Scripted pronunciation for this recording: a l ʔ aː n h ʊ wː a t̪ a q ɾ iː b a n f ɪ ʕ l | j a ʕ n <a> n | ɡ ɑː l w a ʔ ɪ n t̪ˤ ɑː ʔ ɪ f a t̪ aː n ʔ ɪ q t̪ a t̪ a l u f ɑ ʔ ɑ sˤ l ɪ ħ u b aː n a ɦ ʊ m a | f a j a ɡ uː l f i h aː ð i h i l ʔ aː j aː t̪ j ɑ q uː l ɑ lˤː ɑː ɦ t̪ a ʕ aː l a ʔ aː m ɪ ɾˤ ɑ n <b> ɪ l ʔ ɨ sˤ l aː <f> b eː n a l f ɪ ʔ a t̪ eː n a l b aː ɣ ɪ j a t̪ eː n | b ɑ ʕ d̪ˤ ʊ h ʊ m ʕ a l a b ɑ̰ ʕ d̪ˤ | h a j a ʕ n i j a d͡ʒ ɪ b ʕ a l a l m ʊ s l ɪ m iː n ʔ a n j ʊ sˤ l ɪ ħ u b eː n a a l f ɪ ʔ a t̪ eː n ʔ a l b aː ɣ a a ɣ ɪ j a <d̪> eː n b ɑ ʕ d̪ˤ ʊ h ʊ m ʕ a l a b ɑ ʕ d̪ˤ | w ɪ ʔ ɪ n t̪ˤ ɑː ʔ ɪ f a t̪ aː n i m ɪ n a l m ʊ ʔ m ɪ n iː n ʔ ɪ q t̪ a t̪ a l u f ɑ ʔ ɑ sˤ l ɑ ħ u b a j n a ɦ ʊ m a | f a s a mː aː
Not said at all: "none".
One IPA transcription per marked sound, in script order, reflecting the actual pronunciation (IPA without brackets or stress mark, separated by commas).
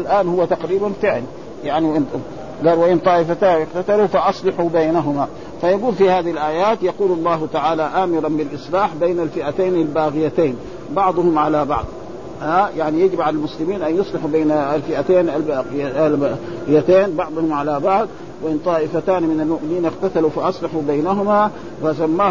i, b, ħ, t̪